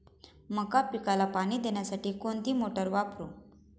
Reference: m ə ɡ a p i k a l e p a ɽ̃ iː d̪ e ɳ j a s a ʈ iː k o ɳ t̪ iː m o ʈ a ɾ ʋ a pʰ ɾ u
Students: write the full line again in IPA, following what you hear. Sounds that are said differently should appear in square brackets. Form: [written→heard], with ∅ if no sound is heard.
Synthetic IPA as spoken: m ə [ɡ→k] a p i k a l [e→a] p a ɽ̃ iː d̪ e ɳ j a s a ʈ iː k o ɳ t̪ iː m o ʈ [a→ə] ɾ ʋ a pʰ ɾ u

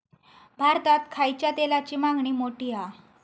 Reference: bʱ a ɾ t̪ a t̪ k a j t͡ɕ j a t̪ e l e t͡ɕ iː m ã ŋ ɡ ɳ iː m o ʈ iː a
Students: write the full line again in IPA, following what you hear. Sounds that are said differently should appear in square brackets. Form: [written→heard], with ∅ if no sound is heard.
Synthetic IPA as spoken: bʱ a ɾ t̪ a t̪ [k→kʰ] a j t͡ɕ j a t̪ e l [e→a] t͡ɕ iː m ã ŋ ɡ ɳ iː m o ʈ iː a

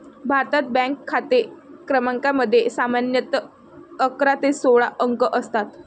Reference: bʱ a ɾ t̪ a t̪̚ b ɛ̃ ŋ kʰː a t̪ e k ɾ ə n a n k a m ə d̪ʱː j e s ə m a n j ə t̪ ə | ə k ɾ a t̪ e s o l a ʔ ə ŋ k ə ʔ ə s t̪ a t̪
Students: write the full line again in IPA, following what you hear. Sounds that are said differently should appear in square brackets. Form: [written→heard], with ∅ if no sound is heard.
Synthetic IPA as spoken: bʱ a ɾ t̪ a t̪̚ b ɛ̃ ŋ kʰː a t̪ e k ɾ ə [n→m] a [n→ŋ] k a m ə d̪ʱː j e s [ə→a] m a n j ə t̪ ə | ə k ɾ a t̪ e s o [l→ɭ] a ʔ ə ŋ k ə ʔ ə s t̪ a t̪

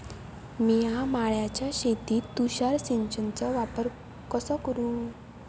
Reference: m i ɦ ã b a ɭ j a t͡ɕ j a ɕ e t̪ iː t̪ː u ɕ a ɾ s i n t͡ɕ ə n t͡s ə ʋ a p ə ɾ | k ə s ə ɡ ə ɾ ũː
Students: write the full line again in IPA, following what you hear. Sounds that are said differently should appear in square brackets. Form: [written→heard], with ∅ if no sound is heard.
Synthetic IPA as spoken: m i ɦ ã [b→m] a ɭ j a t͡ɕ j a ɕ e t̪ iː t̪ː u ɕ a ɾ s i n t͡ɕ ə n t͡s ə ʋ a p ə ɾ | k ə s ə [ɡ→k] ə ɾ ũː

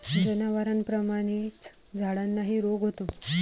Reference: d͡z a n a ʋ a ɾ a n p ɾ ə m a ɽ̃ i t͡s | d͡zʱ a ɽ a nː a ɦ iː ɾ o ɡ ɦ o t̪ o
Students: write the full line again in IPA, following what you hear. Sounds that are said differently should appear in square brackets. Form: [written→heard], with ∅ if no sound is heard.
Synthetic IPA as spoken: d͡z [a→ə] n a ʋ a ɾ a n p ɾ ə m a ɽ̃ i t͡s | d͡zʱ a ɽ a nː a ɦ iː ɾ o ɡ ɦ o t̪ o

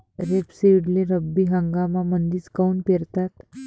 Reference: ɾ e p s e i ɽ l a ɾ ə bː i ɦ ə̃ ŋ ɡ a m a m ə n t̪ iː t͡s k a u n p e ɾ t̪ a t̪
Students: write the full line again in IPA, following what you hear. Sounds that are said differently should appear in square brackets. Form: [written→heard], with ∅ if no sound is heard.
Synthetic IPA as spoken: ɾ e p s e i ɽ l [a→e] ɾ ə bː i ɦ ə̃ ŋ ɡ a m a m ə n [t̪→d̪] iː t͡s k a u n p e ɾ t̪ a t̪

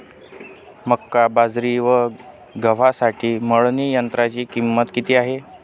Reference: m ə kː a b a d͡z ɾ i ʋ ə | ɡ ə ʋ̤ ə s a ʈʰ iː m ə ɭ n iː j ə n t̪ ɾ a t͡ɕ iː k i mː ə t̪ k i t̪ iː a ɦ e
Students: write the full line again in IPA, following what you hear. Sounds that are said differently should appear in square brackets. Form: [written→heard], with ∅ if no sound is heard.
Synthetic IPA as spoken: m ə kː a b a d͡z ɾ i ʋ ə | ɡ ə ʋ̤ [ə→a] s a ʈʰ iː m ə ɭ n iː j ə n t̪ ɾ a t͡ɕ iː k i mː ə t̪ k i t̪ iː a ɦ e

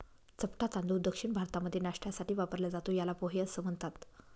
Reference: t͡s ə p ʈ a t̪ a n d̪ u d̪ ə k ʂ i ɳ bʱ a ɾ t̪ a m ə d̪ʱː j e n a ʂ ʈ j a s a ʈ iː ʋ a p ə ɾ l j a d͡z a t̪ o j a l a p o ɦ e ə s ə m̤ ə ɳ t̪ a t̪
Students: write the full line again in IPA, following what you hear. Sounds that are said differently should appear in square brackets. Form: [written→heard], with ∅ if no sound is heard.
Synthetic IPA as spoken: t͡s ə p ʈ a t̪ a n d̪ u d̪ ə k ʂ i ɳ bʱ a ɾ t̪ a m ə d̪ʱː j e n a ʂ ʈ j a s a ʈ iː ʋ a p ə ɾ l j a d͡z a t̪ o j a l a p o ɦ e ə s ə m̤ ə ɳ t̪ a t̪

